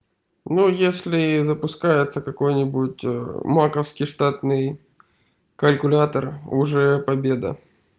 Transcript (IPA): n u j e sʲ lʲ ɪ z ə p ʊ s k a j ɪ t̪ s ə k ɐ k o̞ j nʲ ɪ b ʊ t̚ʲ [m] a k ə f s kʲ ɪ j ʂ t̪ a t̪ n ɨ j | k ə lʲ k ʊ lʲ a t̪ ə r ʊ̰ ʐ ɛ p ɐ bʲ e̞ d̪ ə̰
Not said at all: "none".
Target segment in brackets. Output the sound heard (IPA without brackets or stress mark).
m